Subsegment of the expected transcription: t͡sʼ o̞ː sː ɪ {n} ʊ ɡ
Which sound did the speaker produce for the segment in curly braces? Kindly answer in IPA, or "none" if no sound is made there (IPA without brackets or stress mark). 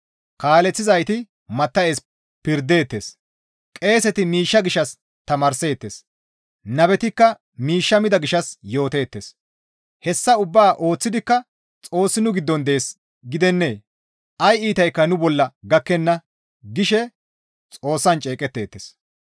n